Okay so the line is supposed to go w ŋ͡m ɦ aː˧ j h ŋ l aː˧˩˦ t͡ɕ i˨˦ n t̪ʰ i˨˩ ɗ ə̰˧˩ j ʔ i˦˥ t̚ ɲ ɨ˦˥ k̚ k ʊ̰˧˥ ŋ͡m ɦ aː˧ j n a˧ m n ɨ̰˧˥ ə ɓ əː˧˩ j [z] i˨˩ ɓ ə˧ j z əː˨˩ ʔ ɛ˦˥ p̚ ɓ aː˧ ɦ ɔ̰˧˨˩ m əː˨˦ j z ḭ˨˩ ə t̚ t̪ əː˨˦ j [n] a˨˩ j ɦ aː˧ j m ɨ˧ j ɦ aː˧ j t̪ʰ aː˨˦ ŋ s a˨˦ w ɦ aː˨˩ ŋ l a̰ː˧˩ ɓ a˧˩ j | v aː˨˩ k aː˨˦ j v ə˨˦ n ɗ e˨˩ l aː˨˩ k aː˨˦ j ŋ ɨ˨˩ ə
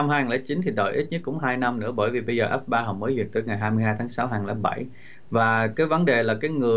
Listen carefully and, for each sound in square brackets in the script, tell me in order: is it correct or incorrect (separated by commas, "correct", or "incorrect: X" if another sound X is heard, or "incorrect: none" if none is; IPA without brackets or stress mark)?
incorrect: v, incorrect: ŋ